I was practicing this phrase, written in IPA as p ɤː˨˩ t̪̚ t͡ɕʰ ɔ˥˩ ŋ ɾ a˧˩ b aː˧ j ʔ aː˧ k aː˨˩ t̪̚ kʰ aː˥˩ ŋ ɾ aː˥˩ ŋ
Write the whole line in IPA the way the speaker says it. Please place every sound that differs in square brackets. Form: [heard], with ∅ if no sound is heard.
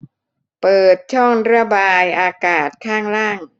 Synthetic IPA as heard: p ɤː˨˩ t̪̚ t͡ɕʰ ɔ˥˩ ŋ ɾ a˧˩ b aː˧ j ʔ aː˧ k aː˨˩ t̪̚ kʰ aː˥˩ ŋ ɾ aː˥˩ ŋ